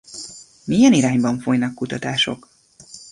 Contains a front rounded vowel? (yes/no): no